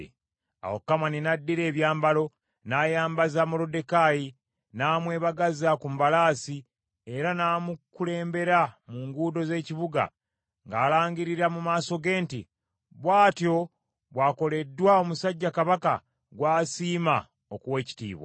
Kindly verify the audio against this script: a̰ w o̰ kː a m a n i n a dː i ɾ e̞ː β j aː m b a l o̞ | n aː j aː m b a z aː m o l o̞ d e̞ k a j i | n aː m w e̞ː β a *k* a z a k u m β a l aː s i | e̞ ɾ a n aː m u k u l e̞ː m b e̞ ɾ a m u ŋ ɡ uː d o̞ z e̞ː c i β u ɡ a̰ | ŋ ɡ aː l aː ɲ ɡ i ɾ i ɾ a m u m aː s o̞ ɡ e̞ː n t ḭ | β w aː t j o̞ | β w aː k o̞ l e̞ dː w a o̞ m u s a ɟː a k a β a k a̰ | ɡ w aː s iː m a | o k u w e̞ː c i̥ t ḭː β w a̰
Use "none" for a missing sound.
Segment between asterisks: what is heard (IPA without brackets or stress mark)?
ɡ